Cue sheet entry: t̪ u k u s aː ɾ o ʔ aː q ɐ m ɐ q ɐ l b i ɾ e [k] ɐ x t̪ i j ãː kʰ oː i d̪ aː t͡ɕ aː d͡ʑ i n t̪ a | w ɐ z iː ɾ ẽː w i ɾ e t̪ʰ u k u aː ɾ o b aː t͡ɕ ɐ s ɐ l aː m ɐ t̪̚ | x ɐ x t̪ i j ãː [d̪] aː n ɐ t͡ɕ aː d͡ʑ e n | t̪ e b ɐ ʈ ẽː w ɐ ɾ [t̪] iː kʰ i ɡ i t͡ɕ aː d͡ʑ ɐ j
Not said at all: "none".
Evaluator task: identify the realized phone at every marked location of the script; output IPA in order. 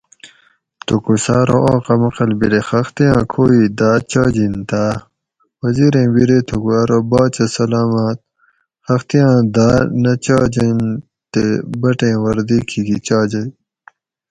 x, d̪, d̪

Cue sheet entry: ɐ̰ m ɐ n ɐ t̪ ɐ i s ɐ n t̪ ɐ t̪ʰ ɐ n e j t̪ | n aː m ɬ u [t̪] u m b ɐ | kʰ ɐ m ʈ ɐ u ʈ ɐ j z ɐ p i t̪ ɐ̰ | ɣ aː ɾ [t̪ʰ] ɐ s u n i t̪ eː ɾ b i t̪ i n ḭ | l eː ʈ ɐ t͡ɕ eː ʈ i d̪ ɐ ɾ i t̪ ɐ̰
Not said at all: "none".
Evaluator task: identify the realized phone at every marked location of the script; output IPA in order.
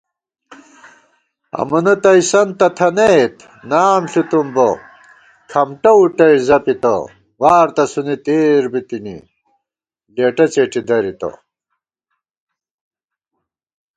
t̪, t̪

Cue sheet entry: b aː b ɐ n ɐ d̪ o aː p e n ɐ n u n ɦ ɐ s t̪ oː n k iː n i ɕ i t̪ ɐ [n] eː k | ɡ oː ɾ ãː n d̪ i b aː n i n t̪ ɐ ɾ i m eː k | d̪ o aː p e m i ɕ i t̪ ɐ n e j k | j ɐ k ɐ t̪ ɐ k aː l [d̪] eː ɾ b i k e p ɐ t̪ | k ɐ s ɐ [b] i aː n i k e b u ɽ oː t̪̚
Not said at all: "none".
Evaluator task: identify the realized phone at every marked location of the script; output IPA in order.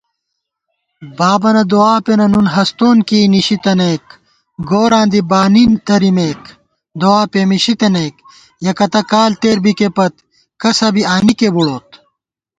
n, t̪, b

